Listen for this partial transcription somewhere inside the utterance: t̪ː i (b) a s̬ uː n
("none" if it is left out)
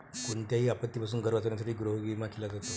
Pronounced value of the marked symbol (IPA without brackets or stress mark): p